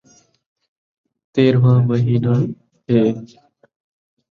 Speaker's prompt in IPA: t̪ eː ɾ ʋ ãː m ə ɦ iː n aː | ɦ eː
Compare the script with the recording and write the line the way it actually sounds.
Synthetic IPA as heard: t̪ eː ɾ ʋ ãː m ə ɦ iː n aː | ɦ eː